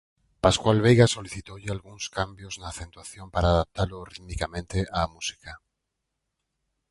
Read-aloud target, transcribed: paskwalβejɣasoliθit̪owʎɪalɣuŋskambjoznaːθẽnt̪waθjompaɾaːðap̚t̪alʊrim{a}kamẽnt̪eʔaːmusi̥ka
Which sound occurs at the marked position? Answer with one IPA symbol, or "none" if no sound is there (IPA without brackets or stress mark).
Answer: i